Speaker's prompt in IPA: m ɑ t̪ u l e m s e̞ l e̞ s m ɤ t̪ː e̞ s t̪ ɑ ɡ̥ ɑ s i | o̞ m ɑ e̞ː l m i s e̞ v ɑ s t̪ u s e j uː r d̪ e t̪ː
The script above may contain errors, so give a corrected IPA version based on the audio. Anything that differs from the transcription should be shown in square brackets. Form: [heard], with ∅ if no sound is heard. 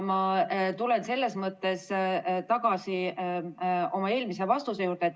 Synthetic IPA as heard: m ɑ t̪ u l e [n] s e̞ [lː] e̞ s m ɤ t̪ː e̞ s t̪ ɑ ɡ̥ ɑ s i | o̞ m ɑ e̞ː l m i s e̞ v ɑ s t̪ u s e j uː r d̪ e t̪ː